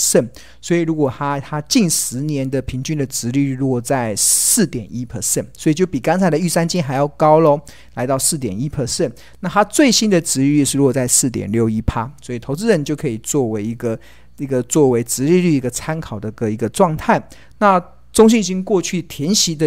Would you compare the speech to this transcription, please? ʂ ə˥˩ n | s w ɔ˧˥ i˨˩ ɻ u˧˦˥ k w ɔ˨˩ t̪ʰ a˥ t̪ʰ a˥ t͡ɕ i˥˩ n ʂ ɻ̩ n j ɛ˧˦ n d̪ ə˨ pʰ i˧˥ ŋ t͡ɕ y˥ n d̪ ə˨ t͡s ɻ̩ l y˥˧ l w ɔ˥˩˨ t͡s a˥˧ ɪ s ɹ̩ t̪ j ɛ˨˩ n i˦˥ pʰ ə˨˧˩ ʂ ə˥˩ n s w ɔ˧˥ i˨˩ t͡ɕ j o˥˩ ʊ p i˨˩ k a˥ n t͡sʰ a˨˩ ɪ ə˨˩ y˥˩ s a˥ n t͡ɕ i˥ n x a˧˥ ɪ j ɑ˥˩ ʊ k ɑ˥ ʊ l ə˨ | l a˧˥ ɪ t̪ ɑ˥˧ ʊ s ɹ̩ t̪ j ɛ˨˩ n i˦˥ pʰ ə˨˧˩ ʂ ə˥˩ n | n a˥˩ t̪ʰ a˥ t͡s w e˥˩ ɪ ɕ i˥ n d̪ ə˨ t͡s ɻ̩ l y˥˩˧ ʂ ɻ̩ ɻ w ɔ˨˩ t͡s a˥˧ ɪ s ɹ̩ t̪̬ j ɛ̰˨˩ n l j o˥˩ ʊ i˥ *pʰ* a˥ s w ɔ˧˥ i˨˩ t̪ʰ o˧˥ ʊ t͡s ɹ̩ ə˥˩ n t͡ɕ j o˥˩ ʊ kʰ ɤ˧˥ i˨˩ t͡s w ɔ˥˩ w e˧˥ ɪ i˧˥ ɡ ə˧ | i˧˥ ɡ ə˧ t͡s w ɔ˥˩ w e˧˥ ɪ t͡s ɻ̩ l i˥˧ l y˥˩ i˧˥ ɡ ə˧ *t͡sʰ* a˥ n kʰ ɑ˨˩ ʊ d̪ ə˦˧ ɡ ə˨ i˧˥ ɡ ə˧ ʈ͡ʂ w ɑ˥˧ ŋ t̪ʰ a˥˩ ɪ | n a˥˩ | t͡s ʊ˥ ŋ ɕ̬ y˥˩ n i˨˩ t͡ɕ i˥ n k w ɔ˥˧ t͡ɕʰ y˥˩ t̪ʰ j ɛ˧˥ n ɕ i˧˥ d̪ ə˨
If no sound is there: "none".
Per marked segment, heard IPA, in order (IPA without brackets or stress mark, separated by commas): pʰ, t͡sʰ